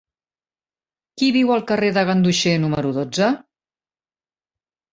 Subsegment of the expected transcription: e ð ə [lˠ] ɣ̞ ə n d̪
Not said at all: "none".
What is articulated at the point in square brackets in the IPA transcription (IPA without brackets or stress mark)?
none